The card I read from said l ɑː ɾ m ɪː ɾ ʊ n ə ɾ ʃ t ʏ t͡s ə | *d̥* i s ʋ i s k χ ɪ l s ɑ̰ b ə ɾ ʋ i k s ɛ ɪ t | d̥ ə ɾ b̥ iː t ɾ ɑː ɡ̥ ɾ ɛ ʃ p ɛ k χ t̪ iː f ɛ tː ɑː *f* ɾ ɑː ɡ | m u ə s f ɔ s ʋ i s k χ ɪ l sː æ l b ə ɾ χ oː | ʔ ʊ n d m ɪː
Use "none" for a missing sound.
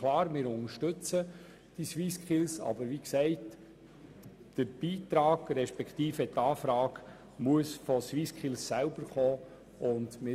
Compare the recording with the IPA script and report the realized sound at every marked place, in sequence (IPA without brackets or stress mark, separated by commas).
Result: d̥, f